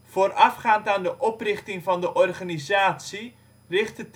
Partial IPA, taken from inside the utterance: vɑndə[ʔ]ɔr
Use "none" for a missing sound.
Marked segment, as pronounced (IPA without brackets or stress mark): ʔ